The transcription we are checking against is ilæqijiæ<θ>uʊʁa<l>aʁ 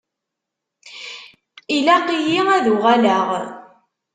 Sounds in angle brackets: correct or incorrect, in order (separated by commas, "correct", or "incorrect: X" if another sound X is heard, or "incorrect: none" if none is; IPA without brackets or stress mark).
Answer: incorrect: ð, correct